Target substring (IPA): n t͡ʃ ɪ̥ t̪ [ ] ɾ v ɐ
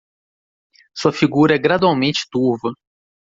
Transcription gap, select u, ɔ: u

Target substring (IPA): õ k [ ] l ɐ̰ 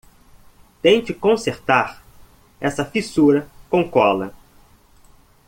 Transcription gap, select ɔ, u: ɔ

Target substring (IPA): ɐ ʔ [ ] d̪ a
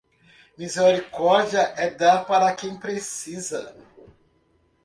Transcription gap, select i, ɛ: ɛ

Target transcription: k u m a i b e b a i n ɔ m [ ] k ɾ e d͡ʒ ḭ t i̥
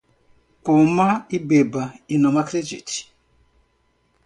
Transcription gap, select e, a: a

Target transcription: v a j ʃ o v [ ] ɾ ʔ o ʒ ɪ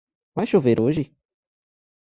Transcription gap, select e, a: e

